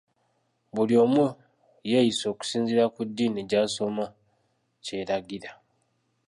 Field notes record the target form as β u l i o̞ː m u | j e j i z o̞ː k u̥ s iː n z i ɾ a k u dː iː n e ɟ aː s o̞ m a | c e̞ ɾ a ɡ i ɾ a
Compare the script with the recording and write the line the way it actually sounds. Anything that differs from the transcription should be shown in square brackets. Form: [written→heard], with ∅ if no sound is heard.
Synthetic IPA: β u l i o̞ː m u | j e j i [z→s] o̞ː k u̥ s iː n z i ɾ a k u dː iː n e ɟ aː s o̞ m a | c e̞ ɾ a ɡ i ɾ a